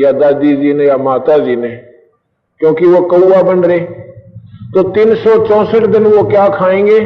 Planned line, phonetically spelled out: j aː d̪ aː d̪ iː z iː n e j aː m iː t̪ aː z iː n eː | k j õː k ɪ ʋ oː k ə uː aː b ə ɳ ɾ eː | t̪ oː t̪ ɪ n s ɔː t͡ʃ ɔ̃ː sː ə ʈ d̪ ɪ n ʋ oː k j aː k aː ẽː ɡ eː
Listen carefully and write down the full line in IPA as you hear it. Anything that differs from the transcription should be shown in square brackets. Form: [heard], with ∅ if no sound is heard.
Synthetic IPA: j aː d̪ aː d̪ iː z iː n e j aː m [aː] t̪ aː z iː n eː | k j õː k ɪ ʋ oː k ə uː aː b ə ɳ ɾ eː | t̪ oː t̪ ɪ n s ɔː t͡ʃ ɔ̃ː [s] ə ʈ d̪ ɪ n ʋ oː k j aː [kʰ] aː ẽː ɡ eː